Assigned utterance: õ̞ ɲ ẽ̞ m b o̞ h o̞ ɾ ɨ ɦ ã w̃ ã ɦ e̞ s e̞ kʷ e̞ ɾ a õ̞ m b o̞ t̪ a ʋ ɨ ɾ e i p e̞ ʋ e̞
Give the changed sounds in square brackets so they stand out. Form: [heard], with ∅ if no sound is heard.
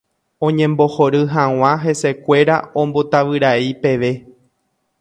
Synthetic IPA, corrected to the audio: õ̞ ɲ ẽ̞ m b o̞ h o̞ ɾ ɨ ɦ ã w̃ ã ɦ e̞ s e̞ kʷ e̞ ɾ a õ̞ m b o̞ t̪ a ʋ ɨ ɾ [a] i p e̞ ʋ e̞